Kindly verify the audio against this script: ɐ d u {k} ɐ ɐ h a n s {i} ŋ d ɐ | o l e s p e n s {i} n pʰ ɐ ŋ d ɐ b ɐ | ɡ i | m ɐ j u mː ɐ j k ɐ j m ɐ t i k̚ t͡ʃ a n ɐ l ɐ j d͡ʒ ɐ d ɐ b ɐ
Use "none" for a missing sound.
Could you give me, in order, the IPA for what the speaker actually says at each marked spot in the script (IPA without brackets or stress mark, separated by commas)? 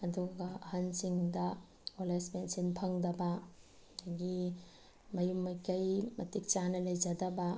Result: ɡ, i, i